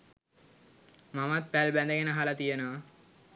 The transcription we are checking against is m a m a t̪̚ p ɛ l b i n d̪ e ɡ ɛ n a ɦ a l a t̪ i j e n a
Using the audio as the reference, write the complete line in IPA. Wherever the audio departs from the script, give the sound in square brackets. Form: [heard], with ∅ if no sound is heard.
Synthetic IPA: m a m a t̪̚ p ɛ l b [ɛ] n d̪ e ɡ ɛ n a ɦ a l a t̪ i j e n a